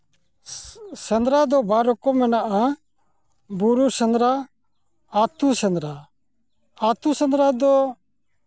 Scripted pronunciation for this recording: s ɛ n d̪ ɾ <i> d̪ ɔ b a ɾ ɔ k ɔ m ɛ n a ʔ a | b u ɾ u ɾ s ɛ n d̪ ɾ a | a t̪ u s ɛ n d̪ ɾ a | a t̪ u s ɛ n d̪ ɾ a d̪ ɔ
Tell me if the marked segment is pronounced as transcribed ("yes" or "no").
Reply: no